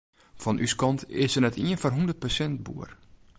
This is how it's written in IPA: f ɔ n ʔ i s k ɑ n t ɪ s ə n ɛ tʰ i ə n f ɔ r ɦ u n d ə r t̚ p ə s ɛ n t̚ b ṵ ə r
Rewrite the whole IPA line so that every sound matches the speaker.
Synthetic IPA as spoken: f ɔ n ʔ y s k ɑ n t ɪ s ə n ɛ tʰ i ə n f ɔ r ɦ u n d ə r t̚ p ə s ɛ n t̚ b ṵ ə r